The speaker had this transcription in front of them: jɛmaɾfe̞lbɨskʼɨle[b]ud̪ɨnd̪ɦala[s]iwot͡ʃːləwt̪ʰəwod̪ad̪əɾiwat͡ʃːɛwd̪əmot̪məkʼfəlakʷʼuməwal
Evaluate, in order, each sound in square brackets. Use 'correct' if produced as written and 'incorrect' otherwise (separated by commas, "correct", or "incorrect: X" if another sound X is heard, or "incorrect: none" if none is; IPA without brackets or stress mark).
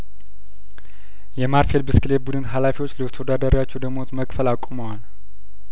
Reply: correct, incorrect: f